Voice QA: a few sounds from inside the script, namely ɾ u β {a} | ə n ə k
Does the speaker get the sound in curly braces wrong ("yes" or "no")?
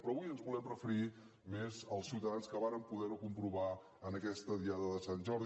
no